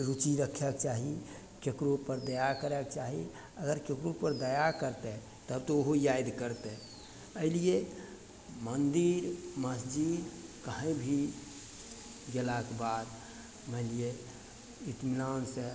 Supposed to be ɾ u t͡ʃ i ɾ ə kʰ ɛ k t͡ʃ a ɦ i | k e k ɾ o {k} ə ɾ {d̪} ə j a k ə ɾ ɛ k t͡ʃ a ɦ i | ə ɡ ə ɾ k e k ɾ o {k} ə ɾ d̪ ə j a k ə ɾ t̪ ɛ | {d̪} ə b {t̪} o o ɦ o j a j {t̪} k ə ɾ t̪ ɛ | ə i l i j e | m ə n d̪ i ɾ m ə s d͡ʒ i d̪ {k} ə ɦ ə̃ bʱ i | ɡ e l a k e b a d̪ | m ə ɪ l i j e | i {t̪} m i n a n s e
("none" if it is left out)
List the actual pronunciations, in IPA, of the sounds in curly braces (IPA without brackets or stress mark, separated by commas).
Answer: p, d̪, p, t̪, t̪, d̪, k, t̪